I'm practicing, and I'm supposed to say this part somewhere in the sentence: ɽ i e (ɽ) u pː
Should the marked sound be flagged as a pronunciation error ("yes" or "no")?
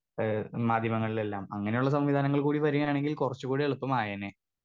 yes